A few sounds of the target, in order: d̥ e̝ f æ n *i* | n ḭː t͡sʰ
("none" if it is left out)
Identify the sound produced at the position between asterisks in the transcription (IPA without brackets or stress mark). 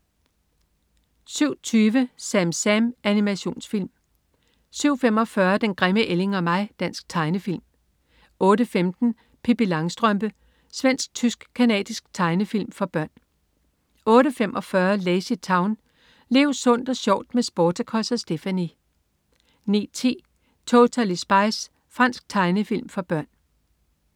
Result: i